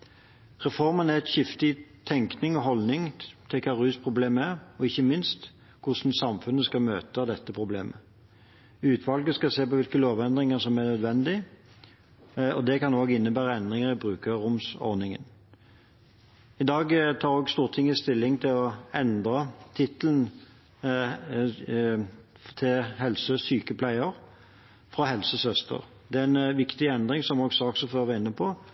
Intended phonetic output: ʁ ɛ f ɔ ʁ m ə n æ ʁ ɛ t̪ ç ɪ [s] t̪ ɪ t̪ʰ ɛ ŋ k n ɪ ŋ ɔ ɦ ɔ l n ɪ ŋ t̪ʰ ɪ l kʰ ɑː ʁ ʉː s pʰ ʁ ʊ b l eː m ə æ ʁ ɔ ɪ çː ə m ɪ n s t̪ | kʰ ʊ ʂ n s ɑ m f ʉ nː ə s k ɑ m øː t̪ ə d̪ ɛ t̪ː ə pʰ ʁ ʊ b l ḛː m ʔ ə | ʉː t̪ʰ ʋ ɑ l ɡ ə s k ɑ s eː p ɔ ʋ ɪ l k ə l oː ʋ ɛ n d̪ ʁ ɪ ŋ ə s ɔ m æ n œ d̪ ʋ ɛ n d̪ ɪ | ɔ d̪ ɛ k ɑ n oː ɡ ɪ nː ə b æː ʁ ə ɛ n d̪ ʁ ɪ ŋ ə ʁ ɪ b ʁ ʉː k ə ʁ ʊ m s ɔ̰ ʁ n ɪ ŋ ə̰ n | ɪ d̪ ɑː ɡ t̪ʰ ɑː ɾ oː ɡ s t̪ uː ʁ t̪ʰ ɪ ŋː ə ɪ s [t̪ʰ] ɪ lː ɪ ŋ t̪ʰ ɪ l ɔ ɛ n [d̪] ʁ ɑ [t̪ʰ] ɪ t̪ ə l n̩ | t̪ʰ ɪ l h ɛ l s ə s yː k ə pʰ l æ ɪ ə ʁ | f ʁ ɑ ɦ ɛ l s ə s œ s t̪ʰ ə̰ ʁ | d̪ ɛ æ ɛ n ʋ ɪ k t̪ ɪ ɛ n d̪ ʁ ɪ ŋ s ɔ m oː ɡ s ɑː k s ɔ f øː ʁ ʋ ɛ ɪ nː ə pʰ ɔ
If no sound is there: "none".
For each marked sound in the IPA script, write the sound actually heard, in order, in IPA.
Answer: f, t̪, d̪, t̪ʰ

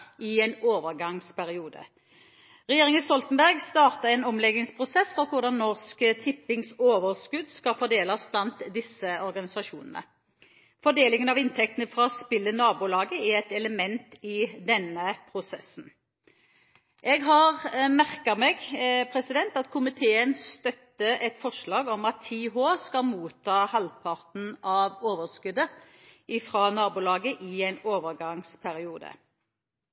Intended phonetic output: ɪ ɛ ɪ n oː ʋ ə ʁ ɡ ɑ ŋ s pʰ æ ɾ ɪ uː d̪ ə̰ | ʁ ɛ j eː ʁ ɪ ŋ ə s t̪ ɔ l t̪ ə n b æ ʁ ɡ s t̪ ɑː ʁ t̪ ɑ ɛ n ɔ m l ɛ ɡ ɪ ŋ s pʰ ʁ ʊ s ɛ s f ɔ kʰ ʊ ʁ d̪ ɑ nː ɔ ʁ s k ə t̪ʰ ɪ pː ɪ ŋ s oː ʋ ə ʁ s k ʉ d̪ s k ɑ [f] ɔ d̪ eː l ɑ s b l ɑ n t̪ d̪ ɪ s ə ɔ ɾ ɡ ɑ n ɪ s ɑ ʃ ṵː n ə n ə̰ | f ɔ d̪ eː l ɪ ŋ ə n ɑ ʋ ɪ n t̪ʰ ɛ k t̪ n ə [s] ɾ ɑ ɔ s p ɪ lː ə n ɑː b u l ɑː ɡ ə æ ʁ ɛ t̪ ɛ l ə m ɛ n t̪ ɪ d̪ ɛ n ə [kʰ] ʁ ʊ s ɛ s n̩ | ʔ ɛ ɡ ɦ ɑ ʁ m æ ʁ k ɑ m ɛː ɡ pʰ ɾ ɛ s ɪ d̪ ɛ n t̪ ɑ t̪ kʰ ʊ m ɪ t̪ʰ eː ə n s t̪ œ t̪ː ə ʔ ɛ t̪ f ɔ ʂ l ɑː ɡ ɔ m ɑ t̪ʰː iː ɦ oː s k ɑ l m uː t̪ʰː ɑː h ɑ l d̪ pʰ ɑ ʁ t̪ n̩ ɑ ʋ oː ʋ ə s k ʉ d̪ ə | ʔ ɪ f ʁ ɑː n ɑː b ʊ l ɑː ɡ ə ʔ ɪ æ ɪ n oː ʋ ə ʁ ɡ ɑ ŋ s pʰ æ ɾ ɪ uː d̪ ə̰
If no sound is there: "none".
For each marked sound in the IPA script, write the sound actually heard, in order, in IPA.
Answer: f, f, pʰ

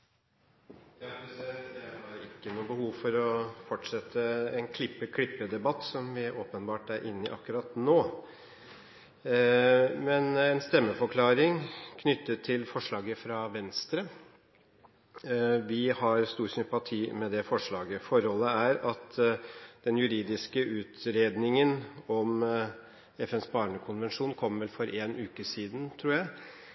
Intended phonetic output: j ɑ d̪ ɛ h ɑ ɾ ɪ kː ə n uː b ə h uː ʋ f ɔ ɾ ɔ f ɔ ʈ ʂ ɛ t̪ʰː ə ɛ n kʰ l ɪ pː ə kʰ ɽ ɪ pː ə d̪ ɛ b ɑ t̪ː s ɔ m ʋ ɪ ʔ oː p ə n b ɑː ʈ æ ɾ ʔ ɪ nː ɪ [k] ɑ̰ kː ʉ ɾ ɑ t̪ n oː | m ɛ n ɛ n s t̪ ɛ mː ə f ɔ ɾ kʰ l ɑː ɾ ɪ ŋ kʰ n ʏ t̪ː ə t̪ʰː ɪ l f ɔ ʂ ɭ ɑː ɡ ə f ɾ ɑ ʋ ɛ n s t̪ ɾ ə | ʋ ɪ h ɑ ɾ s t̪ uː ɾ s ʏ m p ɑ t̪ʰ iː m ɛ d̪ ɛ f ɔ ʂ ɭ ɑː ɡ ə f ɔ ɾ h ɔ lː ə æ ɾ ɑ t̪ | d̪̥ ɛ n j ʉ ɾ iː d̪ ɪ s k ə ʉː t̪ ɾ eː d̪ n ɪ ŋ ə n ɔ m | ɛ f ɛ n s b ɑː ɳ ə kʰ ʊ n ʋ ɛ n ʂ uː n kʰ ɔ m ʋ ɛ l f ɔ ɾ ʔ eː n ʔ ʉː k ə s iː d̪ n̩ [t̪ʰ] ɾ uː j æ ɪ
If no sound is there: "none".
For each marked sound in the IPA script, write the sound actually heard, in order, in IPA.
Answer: ʔ, t̪ʰ

